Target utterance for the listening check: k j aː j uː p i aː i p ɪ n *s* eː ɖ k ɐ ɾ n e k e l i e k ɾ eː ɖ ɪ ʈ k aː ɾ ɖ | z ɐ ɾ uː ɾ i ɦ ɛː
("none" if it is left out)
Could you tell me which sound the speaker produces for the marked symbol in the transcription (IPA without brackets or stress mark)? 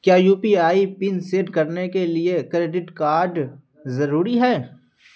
s